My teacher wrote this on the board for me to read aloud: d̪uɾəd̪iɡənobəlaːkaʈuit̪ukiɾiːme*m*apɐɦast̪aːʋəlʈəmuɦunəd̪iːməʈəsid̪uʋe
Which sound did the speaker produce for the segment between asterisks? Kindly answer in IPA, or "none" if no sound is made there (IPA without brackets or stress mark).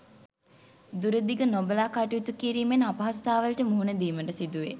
n